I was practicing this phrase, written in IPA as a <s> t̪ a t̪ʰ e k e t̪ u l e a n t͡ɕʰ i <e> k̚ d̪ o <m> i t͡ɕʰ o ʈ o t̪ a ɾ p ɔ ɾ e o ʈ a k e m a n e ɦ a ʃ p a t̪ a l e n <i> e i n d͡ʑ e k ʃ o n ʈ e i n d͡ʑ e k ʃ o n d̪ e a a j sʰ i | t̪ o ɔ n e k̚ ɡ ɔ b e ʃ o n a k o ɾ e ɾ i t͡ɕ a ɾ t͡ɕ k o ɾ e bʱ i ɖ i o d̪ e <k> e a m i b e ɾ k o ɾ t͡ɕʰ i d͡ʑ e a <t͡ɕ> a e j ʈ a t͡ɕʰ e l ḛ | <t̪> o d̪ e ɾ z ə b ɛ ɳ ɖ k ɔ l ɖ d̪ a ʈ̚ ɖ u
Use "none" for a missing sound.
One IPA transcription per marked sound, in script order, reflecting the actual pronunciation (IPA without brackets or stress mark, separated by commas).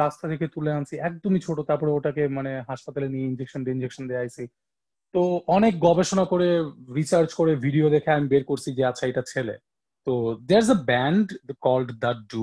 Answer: s, ɛ, m, i, kʰ, t͡ɕʰ, t̪